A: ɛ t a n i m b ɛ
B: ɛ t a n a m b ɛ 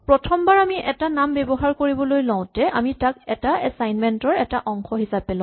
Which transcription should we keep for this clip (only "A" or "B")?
B